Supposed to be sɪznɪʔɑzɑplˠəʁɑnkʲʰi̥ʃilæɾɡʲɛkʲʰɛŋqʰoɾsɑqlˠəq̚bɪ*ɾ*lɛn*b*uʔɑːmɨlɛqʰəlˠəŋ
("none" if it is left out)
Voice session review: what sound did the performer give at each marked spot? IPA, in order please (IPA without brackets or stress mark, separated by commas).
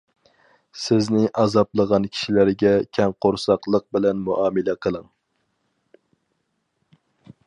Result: none, m